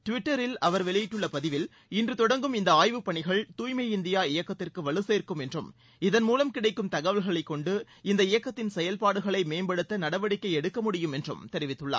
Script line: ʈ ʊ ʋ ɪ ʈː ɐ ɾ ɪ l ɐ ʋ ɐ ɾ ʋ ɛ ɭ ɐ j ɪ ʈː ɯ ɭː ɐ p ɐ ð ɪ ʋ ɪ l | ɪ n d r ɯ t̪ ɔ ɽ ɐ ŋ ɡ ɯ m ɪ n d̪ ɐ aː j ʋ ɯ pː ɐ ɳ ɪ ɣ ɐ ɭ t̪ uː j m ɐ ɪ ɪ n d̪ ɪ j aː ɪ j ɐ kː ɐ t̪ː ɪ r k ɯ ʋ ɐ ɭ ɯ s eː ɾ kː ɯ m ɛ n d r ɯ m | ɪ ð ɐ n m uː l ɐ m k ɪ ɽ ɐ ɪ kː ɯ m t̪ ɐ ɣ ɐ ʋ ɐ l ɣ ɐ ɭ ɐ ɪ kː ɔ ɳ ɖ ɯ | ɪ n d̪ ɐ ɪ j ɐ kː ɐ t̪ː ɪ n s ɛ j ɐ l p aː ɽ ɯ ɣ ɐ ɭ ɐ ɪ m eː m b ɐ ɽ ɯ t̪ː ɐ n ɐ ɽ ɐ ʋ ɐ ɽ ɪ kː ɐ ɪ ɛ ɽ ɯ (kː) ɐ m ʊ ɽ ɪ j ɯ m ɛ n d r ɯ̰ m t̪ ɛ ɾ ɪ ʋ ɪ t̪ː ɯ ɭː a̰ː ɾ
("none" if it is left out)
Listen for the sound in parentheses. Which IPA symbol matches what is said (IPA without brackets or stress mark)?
kː